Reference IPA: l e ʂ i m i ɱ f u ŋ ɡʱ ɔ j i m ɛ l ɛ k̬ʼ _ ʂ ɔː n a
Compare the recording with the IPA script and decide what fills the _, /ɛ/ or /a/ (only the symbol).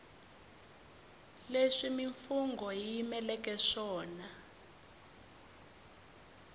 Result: ɛ